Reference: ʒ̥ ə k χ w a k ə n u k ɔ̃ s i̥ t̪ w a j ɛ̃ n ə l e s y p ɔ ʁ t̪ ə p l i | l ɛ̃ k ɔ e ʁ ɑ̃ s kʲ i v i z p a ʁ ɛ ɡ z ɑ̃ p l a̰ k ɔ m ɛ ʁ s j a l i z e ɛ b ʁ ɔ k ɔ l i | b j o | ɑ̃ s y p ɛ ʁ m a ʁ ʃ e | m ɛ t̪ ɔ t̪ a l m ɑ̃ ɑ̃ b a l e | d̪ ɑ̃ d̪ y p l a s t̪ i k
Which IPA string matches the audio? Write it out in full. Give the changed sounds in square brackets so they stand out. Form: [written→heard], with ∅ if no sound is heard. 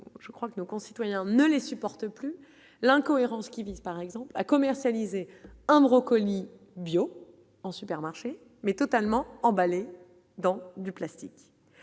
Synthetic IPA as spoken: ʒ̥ ə k χ w a k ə n [u→o] k ɔ̃ s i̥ t̪ w a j ɛ̃ n ə l e s y p ɔ ʁ t̪ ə p l [i→y] | l ɛ̃ k ɔ e ʁ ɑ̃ s kʲ i v i z p a ʁ ɛ ɡ z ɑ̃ p l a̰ k ɔ m ɛ ʁ s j a l i z e [ɛ→ɛ̃] b ʁ ɔ k ɔ l i | b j o | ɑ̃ s y p ɛ ʁ m a ʁ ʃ e | m ɛ t̪ ɔ t̪ a l m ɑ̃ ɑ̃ b a l e | d̪ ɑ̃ d̪ y p l a s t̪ i k